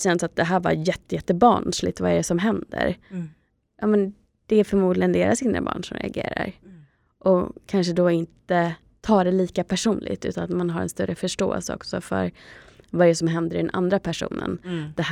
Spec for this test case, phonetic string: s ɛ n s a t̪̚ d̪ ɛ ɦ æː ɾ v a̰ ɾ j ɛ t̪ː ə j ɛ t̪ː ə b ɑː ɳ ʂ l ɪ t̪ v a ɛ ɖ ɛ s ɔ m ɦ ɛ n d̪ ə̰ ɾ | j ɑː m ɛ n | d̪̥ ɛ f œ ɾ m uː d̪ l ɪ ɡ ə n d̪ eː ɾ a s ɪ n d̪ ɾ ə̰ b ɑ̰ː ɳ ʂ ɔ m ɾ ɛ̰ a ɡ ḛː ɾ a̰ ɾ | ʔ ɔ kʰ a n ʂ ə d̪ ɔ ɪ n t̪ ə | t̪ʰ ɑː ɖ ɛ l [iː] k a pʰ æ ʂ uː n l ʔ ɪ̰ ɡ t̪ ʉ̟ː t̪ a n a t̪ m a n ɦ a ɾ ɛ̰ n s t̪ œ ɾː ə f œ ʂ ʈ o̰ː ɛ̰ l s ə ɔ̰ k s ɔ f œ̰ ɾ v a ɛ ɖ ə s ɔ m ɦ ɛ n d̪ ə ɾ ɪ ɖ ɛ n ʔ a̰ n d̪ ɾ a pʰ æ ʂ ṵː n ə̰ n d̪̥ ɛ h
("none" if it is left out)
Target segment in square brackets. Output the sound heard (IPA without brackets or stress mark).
iː